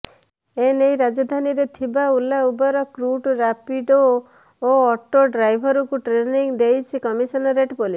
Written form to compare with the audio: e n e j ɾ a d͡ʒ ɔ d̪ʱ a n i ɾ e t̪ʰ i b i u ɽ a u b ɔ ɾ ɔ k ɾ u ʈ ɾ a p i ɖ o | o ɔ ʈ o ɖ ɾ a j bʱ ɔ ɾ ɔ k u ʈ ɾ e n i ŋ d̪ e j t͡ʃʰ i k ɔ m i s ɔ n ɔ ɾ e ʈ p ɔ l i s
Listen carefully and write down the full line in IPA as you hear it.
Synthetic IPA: e n e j ɾ a d͡ʒ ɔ d̪ʱ a n i ɾ e t̪ʰ i b a u l a u b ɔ ɾ ɔ k ɾ u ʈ ɾ a p i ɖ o | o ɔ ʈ o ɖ ɾ a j bʱ ɔ ɾ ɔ k u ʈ ɾ e n i ŋ d̪ e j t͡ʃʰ i k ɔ m i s ɔ n ɔ ɾ e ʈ p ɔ l i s